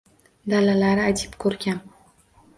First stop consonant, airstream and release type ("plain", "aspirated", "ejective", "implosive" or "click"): plain